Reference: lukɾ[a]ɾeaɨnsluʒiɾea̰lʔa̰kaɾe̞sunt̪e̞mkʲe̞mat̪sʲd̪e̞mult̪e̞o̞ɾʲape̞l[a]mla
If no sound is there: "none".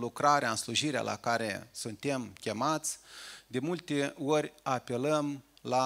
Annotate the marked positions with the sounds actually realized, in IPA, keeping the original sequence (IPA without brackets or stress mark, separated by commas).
a, ə